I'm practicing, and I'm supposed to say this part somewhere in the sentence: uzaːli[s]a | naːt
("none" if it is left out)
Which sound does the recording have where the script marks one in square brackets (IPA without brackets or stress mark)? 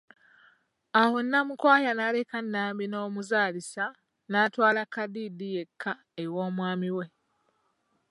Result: s